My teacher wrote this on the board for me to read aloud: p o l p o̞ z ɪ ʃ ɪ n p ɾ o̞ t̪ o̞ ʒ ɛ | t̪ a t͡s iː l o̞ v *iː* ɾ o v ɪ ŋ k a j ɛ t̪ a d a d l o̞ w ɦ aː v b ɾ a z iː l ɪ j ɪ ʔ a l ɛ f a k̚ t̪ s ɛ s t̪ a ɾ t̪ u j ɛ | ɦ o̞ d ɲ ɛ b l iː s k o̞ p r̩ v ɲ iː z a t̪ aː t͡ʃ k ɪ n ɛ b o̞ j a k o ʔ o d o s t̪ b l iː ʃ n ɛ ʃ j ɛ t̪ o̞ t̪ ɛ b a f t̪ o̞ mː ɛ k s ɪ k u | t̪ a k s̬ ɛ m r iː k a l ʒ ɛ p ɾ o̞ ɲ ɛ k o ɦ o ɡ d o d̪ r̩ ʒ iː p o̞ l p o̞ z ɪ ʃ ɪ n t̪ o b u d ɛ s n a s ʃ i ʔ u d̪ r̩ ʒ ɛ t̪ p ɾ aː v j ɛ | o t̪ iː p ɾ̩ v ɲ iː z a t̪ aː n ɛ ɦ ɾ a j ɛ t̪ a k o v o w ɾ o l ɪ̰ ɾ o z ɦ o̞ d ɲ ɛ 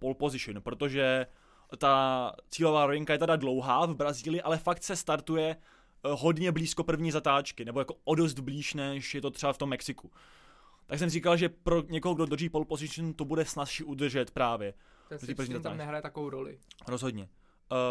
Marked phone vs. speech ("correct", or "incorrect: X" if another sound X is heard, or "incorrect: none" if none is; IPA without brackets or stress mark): incorrect: aː